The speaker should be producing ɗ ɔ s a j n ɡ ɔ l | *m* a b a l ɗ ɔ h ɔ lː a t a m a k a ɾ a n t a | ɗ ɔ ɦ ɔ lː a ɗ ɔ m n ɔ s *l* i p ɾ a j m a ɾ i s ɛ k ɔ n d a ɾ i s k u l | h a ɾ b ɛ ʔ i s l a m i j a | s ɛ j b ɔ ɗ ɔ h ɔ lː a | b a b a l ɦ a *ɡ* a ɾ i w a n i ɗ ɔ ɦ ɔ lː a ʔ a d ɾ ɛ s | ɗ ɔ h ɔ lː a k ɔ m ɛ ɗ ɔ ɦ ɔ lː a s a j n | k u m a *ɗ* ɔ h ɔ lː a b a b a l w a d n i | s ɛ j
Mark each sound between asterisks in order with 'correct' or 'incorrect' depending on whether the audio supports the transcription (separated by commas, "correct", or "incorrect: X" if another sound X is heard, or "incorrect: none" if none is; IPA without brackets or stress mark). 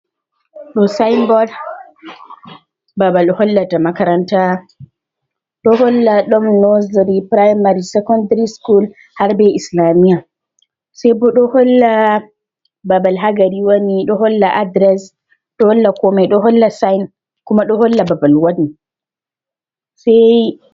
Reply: incorrect: b, incorrect: ɾ, correct, correct